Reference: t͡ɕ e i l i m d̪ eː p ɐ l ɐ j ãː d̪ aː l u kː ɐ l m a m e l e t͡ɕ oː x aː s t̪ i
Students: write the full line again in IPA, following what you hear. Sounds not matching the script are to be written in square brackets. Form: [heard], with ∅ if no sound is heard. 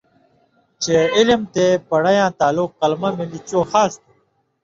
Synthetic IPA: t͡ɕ e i l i m [t̪] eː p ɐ [ɽ] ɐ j ãː [t̪] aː l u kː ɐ l m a m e l [i] t͡ɕ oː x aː s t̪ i